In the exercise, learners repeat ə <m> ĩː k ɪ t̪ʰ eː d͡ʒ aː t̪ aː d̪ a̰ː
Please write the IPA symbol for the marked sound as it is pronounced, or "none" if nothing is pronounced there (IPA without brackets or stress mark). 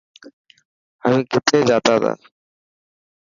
m